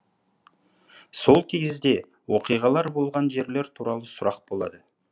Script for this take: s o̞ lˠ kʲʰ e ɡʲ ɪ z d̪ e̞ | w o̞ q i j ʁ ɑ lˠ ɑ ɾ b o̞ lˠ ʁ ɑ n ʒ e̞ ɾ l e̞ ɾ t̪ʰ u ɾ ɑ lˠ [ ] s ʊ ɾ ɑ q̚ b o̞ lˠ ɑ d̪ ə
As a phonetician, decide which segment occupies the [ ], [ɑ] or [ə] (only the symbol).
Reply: ə